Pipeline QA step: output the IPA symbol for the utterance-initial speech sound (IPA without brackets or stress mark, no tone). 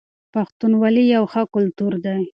p